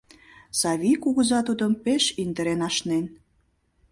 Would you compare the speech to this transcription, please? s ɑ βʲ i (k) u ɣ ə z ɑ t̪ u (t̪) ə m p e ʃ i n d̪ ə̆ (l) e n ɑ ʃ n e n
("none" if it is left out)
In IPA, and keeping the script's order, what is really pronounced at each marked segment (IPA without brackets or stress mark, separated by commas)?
k, d̪, ɾ